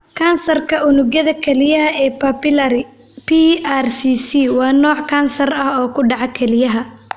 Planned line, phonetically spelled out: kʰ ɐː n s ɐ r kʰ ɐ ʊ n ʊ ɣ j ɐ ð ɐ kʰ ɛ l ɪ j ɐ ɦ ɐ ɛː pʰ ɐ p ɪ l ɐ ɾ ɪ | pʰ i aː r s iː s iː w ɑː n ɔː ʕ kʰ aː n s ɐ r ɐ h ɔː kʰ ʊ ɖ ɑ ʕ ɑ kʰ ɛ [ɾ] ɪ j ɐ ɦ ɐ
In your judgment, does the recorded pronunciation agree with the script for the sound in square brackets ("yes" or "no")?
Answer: no